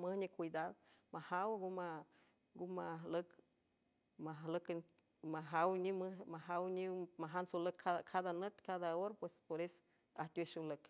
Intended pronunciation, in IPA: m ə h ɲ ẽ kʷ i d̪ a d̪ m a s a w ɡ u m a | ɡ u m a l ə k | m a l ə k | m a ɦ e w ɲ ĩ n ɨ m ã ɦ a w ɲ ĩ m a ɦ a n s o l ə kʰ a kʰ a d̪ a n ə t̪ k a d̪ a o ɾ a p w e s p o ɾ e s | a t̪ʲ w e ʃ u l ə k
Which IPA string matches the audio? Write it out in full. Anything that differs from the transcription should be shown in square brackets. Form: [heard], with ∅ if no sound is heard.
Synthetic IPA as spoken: m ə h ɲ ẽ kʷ i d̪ a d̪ m a [h] a w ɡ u m a | ɡ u m a l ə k | m a l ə k | m a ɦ [a] w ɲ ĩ [m] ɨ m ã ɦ a w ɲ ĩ m a ɦ a n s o l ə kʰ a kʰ a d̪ a n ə t̪ k a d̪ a o ɾ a p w e s p o ɾ e s | a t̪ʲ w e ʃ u l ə k